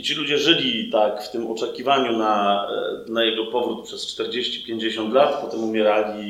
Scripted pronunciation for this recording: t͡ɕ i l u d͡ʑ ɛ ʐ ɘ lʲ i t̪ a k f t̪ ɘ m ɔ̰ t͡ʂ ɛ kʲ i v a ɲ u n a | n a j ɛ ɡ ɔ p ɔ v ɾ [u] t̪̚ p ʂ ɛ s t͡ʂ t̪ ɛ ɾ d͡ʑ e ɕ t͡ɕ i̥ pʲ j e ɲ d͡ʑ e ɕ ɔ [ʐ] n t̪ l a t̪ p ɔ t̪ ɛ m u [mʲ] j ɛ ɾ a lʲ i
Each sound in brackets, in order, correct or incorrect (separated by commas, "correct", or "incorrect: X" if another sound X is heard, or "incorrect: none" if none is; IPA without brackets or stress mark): correct, incorrect: none, correct